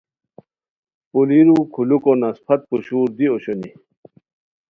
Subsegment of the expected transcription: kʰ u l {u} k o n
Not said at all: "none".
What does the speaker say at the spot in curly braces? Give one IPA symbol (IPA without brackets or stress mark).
u